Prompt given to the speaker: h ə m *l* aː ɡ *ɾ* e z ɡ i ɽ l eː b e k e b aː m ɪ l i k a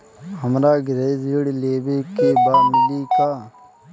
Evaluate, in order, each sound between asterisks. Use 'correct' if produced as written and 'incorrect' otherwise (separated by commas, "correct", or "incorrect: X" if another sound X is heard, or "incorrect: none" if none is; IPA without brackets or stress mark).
incorrect: ɾ, correct